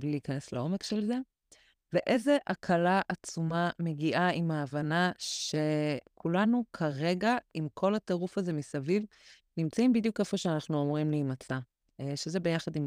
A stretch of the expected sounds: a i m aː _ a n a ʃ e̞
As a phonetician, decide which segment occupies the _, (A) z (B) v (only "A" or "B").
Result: B